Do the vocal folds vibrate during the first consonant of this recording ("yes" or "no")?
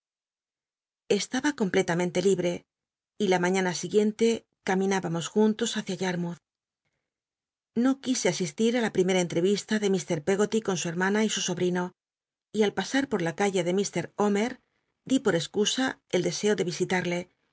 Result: no